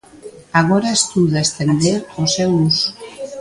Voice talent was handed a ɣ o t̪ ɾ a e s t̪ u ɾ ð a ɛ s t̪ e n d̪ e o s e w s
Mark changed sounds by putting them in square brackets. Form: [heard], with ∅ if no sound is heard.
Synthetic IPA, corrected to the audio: a ɣ o [∅] ɾ a e s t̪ u [∅] ð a [e] s t̪ e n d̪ e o s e [u] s